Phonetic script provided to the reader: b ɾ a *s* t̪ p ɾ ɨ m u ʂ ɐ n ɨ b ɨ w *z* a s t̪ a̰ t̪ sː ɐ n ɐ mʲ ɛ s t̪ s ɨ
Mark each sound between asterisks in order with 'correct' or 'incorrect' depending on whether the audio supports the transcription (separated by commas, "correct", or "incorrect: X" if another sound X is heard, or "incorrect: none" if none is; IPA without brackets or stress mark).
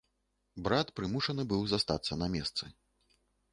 incorrect: none, correct